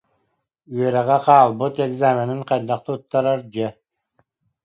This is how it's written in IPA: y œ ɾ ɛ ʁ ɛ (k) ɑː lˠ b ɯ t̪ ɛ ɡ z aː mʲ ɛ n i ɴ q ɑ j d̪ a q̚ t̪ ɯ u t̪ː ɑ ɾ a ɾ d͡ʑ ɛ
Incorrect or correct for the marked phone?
incorrect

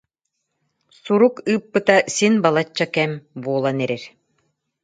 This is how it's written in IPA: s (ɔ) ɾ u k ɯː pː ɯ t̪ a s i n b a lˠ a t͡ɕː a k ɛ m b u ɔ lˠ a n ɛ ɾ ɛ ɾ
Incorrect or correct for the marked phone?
incorrect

